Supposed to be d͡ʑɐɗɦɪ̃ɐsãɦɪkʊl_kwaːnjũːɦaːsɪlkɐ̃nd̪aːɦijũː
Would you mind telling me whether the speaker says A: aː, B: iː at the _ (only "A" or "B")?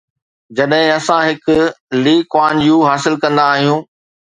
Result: B